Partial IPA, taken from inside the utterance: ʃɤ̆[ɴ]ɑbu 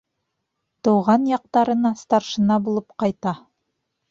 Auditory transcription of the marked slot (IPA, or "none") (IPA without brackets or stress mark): n